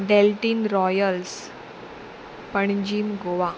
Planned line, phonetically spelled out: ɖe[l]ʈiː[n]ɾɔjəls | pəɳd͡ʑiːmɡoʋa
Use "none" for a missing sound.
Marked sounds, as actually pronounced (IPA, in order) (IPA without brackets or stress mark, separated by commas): l, n